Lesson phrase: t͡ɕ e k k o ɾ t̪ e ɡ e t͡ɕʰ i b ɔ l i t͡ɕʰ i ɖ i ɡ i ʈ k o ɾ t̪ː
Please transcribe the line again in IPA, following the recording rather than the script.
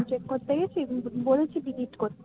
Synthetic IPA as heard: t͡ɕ e k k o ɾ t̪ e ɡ e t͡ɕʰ i b o l e t͡ɕʰ i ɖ i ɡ i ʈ k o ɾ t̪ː